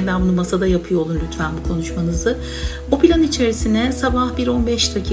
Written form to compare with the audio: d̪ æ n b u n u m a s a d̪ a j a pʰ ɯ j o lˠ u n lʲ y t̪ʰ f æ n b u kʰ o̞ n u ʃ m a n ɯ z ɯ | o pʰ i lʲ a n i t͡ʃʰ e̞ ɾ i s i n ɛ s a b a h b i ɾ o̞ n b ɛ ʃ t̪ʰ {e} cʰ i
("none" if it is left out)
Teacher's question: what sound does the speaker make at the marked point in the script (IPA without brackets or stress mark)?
a